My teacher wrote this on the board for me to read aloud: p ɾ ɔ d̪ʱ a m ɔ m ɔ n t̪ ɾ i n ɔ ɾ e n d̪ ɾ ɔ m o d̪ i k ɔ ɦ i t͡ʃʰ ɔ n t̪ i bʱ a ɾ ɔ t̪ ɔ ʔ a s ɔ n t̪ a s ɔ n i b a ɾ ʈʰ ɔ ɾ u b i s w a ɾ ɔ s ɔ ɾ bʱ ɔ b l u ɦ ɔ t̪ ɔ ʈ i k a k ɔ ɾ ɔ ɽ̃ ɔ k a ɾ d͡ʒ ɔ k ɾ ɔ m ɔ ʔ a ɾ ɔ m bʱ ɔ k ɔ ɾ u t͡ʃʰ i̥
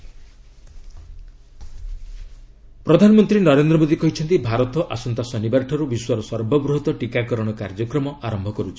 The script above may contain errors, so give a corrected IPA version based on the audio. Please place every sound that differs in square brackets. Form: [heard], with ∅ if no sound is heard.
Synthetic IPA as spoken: p ɾ ɔ d̪ʱ a [n] ɔ m ɔ n t̪ ɾ i n ɔ ɾ e n d̪ ɾ ɔ m o d̪ i k ɔ ɦ i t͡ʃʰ ɔ n t̪ i bʱ a ɾ ɔ t̪ ɔ ʔ a s ɔ n t̪ a s ɔ n i b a ɾ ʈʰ ɔ ɾ u b i s w a ɾ ɔ s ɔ ɾ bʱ ɔ b [ɾ] u ɦ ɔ t̪ ɔ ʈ i k a k ɔ ɾ ɔ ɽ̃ ɔ k a ɾ d͡ʒ ɔ k ɾ ɔ m ɔ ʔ a ɾ ɔ m bʱ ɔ k ɔ ɾ u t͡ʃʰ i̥